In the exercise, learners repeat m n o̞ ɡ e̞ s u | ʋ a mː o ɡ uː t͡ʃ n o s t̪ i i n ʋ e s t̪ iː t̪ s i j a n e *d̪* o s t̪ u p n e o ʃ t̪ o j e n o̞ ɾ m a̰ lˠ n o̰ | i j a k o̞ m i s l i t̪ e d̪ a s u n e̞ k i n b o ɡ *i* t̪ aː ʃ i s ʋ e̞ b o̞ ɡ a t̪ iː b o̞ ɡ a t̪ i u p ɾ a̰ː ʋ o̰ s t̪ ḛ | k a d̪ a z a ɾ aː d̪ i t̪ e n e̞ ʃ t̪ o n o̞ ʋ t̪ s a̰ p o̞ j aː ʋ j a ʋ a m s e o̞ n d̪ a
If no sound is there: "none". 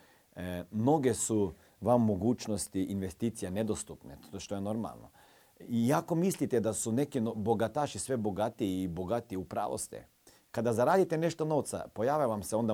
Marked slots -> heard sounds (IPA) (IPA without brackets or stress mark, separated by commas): d̪, a